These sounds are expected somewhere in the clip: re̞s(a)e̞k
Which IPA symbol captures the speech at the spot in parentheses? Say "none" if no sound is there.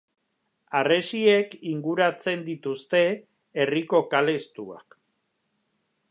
i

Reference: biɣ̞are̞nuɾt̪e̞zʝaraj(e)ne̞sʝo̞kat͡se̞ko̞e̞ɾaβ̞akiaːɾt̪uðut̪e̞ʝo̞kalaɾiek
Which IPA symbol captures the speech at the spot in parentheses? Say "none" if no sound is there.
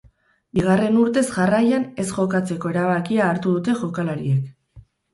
a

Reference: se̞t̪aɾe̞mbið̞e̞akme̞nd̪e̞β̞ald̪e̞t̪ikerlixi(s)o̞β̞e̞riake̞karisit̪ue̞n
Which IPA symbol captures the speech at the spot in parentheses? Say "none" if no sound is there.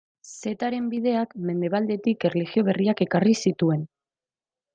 none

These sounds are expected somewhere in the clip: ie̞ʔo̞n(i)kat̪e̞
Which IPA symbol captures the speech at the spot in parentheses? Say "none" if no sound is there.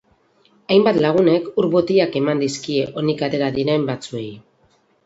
i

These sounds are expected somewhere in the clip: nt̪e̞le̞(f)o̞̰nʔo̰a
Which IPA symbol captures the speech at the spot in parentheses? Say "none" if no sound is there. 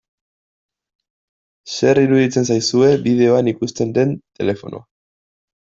f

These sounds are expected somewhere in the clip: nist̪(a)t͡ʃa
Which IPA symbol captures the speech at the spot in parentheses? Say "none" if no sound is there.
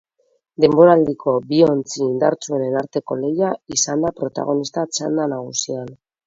a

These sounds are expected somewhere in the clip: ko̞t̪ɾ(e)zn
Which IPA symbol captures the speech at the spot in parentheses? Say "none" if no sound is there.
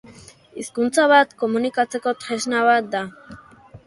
e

